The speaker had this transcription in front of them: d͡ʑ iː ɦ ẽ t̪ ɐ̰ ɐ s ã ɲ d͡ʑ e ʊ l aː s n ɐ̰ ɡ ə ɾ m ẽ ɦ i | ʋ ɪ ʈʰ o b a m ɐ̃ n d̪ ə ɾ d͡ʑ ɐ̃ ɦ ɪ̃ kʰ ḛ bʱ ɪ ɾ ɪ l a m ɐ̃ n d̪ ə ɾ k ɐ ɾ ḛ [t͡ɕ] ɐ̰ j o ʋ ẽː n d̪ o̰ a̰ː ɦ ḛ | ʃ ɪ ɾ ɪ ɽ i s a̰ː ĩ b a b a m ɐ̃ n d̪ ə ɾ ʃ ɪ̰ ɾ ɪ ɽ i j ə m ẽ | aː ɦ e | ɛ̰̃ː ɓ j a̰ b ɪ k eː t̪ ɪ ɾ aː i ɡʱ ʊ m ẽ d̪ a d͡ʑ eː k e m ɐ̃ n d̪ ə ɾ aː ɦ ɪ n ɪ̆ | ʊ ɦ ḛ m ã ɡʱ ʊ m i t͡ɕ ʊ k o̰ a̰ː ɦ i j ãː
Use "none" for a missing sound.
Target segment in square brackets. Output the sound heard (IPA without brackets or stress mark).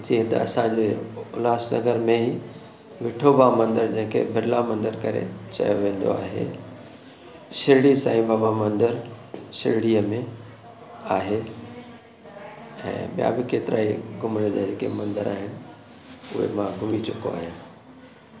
t͡ɕ